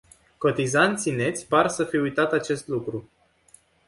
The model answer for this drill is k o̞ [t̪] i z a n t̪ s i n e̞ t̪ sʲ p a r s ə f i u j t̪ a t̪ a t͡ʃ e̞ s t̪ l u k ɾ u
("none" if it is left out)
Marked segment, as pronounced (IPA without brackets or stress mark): t̪